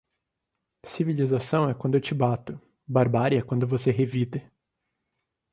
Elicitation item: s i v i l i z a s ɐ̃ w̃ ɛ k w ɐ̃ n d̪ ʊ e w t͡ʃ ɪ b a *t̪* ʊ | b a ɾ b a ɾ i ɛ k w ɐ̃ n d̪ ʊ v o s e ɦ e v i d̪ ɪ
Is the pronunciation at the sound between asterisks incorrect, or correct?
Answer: correct